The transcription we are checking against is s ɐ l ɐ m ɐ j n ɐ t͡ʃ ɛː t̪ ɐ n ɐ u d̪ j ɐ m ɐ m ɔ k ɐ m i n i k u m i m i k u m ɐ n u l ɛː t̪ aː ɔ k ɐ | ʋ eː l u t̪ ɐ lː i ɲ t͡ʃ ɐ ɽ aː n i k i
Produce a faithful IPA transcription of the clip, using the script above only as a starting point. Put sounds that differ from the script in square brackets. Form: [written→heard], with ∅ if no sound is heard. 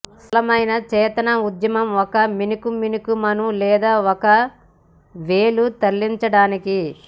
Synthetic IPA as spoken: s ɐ l ɐ m ɐ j n ɐ t͡ʃ ɛː t̪ ɐ n ɐ u d̪ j ɐ m ɐ m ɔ k ɐ m i n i k u m i [m→n] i k u m ɐ n u l ɛː [t̪→d̪] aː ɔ k ɐ | ʋ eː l u t̪ ɐ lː i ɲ t͡ʃ ɐ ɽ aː n i k i

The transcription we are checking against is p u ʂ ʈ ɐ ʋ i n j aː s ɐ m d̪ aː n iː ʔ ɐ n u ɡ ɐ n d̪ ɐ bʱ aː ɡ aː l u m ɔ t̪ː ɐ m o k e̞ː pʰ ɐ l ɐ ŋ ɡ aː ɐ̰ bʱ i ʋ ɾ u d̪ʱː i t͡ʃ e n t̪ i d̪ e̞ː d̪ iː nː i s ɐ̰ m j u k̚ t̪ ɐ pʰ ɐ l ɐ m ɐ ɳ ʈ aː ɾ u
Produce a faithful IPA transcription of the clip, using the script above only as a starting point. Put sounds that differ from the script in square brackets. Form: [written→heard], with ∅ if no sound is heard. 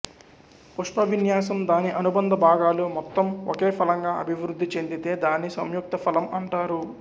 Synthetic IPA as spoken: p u ʂ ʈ ɐ ʋ i n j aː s ɐ m d̪ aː n [iː→i] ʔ ɐ n u [ɡ→b] ɐ n d̪ ɐ bʱ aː ɡ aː l u m ɔ t̪ː ɐ m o k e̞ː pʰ ɐ l ɐ ŋ ɡ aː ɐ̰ bʱ i ʋ ɾ u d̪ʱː i t͡ʃ e n [t̪→d̪] i [d̪→t̪] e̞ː d̪ [iː→aː] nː i s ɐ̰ m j u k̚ t̪ ɐ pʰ ɐ l ɐ m ɐ ɳ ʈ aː ɾ u

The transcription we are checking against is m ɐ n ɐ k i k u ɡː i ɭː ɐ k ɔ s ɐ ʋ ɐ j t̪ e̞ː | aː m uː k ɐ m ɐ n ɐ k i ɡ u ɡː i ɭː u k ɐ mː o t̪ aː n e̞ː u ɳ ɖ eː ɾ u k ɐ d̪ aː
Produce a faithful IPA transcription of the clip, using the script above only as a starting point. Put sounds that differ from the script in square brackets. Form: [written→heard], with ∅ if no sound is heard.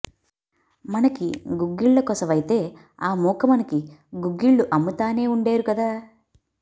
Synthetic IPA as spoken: m ɐ n ɐ k i [k→ɡ] u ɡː i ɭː ɐ k ɔ s ɐ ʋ ɐ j t̪ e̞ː | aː m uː k ɐ m ɐ n ɐ k i ɡ u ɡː i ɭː u [k→ʔ] ɐ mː [o→u] t̪ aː n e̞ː u ɳ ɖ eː ɾ u k ɐ d̪ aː

